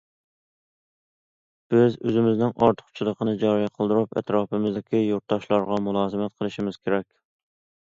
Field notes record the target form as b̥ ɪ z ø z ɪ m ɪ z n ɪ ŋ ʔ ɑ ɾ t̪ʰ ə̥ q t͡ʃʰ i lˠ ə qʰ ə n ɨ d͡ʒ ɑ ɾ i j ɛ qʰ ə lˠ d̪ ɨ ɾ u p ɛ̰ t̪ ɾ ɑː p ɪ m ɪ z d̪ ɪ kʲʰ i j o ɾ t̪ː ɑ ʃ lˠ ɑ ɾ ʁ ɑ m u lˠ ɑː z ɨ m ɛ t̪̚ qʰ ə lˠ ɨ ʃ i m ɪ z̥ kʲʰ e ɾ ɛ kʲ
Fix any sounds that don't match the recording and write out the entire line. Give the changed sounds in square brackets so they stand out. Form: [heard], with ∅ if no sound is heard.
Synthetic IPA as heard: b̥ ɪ z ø z ɪ m ɪ z n ɪ ŋ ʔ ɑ ɾ t̪ʰ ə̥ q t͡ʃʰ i lˠ ə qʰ ə n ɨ d͡ʒ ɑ ɾ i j ɛ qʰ ə lˠ d̪ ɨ ɾ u p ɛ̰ t̪ ɾ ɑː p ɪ m ɪ z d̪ ɪ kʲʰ i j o ɾ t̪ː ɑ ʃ lˠ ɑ ɾ ʁ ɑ m u lˠ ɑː z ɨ m ɛ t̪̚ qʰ ə lˠ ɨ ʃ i m ɪ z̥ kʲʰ e ɾ ɛ kʲ